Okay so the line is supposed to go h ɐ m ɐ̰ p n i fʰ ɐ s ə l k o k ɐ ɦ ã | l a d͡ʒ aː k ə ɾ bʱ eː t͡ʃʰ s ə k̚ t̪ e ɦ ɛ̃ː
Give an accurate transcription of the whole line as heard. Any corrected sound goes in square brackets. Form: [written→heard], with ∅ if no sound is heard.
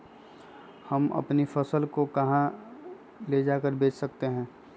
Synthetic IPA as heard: h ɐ m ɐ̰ p n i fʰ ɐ s ə l k o k ɐ ɦ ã | l [a→e] d͡ʒ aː k ə ɾ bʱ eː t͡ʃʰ s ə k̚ t̪ e ɦ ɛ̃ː